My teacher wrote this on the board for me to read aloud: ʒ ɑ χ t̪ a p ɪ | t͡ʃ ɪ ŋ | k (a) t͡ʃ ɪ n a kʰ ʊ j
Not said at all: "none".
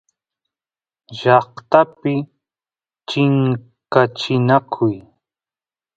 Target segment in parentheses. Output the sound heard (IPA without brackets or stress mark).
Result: a